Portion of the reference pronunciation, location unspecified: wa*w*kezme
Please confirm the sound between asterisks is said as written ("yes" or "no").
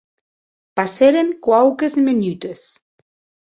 yes